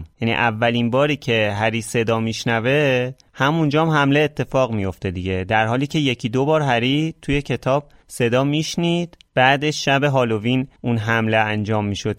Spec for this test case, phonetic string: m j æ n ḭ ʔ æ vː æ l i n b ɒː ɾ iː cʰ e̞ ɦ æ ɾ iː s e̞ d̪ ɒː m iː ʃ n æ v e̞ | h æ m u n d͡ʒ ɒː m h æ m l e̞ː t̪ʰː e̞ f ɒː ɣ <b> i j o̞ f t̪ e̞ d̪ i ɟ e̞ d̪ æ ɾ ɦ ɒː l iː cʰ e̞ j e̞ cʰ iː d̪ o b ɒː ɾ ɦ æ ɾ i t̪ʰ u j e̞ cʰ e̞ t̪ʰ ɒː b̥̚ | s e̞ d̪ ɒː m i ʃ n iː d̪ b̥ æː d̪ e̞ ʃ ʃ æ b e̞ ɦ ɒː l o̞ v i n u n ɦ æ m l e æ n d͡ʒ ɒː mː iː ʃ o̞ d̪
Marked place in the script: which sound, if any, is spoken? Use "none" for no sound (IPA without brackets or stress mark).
m